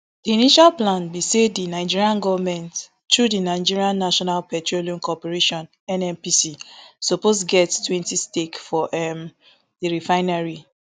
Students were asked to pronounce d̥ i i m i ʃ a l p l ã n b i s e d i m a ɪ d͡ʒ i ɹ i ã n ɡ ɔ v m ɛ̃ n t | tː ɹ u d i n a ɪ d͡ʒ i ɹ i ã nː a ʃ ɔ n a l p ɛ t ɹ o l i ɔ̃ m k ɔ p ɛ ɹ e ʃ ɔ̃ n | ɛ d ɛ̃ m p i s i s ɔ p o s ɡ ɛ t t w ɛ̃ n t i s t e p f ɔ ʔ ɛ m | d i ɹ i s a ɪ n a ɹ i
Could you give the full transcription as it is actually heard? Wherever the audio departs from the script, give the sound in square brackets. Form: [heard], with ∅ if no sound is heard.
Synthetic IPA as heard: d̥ i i [n] i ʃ a l p l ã n b i s e d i [n] a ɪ d͡ʒ i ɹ i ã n ɡ ɔ v m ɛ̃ n t | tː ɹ u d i n a ɪ d͡ʒ i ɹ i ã nː a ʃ ɔ n a l p ɛ t ɹ o l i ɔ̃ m k ɔ p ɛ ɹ e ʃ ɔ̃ n | ɛ [n] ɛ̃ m p i s i s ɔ p o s ɡ ɛ t t w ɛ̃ n t i s t e [k] f ɔ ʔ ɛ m | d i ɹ i [f] a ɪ n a ɹ i